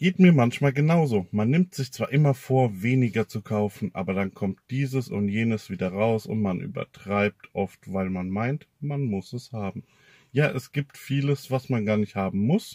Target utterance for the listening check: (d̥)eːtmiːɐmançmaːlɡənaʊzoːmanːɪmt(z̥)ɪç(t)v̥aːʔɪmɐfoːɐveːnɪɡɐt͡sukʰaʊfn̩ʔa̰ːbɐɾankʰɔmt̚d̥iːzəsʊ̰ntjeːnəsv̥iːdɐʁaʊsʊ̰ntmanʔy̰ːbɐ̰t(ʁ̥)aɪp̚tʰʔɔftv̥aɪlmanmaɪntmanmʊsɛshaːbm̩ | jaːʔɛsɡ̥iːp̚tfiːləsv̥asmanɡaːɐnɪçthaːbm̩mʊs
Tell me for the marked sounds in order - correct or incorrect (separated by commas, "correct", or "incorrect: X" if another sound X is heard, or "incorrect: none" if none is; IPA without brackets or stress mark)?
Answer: incorrect: ɡ̥, correct, incorrect: t͡s, correct